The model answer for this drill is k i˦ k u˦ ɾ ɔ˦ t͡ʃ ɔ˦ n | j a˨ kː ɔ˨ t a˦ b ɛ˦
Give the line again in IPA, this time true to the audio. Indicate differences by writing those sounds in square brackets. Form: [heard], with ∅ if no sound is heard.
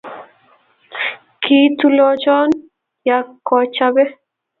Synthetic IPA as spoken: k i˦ [t] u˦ [l] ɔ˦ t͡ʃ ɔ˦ n | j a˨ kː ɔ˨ [t͡ʃ] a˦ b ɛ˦

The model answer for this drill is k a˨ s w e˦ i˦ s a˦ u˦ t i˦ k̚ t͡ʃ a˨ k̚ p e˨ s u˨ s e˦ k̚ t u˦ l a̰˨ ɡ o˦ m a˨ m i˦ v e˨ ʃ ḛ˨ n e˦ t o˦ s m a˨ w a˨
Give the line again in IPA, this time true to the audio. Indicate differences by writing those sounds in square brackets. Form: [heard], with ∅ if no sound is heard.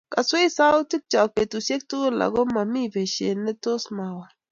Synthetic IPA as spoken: k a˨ s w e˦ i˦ s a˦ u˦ t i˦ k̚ t͡ʃ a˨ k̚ p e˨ [t] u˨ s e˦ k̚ t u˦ l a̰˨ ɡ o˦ m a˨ m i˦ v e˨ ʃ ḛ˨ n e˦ t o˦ s m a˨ w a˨

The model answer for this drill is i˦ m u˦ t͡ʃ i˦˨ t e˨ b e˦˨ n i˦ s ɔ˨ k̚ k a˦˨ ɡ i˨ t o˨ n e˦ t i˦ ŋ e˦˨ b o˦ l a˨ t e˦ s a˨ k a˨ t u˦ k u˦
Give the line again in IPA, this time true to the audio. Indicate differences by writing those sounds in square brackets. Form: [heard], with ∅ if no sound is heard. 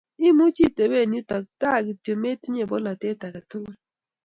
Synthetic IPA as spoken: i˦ m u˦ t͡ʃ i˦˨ t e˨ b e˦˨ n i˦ [t] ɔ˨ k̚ [t] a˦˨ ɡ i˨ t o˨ [m] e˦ t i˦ [ɲ] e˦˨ b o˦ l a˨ t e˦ [t] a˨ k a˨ t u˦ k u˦

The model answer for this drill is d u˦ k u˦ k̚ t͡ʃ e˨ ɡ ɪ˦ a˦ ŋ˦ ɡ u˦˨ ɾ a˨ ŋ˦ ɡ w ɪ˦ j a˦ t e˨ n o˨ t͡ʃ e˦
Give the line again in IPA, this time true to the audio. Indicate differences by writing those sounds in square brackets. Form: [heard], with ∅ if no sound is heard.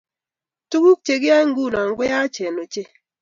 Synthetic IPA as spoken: [t] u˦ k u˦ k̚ t͡ʃ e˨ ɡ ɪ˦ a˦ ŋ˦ ɡ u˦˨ [l] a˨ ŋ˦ ɡ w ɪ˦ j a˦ [t͡ʃ] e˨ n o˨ t͡ʃ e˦

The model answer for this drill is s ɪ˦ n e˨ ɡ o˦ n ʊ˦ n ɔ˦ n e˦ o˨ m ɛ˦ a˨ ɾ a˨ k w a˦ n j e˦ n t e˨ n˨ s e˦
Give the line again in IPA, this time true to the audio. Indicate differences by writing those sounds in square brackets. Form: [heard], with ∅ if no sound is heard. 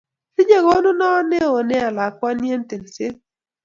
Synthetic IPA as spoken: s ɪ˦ [ɲ] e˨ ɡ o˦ n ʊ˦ n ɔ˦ n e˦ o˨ [n] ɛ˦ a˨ [l] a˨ k w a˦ n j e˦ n t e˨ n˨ s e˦

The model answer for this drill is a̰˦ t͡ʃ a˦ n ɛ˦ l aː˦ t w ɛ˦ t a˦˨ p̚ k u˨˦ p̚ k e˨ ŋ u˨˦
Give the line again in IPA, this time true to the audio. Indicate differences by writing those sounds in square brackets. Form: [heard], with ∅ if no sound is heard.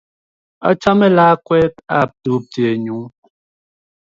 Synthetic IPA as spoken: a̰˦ t͡ʃ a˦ [m] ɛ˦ l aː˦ [k] w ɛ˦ t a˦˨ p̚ [t] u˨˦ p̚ [t] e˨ [ɲ] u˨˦

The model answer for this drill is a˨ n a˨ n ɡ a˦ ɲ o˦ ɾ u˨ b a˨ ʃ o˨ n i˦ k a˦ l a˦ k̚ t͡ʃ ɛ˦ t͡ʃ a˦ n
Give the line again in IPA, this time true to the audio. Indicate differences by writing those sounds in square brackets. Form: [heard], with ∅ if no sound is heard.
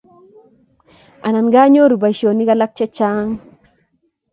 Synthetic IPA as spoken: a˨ n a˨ n ɡ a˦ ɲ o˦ ɾ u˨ b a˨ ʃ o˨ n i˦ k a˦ l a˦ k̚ t͡ʃ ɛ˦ t͡ʃ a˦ [ŋ]

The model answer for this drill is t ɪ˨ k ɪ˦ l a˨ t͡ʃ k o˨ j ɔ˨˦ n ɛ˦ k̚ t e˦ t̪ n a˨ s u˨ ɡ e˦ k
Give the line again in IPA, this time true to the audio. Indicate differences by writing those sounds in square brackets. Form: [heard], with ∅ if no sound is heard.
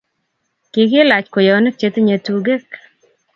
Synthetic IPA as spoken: [k] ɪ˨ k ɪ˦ l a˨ t͡ʃ k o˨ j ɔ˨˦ n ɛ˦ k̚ [t͡ʃ] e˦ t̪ [ɲ] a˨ [t] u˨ ɡ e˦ k

